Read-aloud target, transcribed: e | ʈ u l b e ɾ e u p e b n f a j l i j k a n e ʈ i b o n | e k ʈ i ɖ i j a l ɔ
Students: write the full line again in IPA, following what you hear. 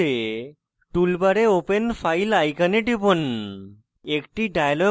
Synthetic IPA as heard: e | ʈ u l b a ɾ e o p e n f a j l a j k a n e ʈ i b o n | e k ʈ i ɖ a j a l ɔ